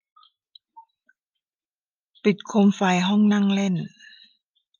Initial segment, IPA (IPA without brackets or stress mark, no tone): p